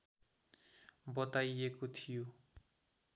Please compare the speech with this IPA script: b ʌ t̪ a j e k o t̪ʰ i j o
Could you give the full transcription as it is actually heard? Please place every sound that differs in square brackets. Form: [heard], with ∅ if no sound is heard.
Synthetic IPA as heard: b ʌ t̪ a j e k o t̪ʰ i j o

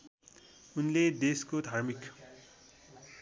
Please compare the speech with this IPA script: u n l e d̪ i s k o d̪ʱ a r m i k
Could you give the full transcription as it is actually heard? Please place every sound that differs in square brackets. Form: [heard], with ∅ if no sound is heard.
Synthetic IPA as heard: u n l e d̪ [e] s k o d̪ʱ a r m i k

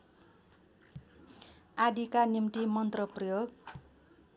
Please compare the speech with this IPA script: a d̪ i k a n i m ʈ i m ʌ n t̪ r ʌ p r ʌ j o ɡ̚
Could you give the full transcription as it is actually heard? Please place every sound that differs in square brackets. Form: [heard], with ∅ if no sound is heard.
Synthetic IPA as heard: a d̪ i k a n i m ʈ i m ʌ n t̪ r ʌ p r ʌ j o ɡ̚

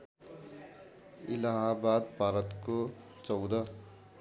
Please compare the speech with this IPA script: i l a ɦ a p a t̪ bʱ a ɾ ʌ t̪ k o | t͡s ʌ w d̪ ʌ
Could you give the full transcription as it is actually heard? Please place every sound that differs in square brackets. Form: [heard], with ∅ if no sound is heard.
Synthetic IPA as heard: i l a ɦ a [b] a [d̪] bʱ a ɾ ʌ t̪ k o | t͡s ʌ w d̪ ʌ

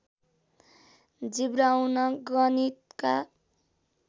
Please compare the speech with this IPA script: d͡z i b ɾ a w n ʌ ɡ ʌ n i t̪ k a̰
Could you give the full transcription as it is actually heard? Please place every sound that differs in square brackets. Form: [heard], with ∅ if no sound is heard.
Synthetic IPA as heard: d͡z i b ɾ a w n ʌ ɡ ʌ n i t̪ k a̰

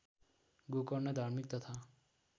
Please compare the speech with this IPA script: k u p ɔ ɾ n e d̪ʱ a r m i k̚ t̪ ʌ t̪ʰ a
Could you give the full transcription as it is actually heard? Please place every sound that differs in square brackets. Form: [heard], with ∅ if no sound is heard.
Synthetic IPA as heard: [ɡ] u [k] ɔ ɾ n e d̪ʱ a [ɾ] m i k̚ t̪ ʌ t̪ʰ a

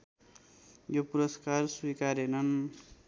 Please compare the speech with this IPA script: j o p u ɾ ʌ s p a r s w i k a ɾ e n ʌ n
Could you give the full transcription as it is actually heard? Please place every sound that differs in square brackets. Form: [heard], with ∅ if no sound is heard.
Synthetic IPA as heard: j o p u ɾ ʌ s [k] a r s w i k a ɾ e n ʌ n

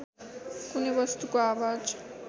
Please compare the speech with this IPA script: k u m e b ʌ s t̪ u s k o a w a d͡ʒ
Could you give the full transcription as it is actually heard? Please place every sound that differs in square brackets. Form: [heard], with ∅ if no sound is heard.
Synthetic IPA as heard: k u [n] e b ʌ s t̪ u [∅] k o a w a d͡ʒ

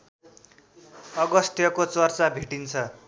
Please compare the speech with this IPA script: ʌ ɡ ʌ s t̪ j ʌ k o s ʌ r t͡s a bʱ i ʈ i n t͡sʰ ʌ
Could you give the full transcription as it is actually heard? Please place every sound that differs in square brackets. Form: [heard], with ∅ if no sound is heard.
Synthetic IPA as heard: ʌ ɡ ʌ s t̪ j ʌ k o [t͡s] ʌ r t͡s a bʱ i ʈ i n t͡sʰ ʌ

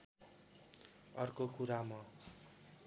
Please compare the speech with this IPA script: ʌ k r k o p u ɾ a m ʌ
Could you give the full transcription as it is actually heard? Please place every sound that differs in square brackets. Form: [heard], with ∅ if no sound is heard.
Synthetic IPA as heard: ʌ [∅] r k o [k] u ɾ a m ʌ

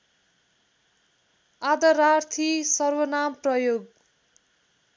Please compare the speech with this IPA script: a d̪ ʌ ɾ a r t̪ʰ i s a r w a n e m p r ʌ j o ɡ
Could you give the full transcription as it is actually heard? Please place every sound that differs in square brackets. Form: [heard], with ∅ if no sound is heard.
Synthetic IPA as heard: a d̪ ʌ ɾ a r t̪ʰ i s [ʌ] r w [ʌ] n [a] m p r ʌ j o ɡ

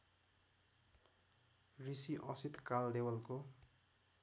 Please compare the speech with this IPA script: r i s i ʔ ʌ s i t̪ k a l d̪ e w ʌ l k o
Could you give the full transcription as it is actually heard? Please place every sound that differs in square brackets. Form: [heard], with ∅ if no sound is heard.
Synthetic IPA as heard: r i s i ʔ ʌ s i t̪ k a l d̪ e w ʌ l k o

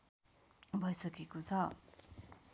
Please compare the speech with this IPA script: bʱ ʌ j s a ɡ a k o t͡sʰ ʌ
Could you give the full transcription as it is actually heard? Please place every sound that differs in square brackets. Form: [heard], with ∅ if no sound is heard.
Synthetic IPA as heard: bʱ ʌ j s [ʌ] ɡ [e] k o t͡sʰ ʌ

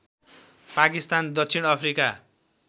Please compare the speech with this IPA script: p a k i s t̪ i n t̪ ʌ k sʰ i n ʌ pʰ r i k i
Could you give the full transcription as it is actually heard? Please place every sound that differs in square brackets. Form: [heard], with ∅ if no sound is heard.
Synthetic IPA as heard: p a k i s t̪ [a] n [d̪] ʌ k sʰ i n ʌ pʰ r i k [a]

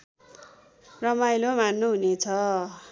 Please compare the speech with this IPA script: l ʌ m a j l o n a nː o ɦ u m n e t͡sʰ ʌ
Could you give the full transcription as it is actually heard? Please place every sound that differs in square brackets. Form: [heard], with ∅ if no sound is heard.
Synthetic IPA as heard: [r] ʌ m a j l o [m] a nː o ɦ u [∅] n e t͡sʰ ʌ

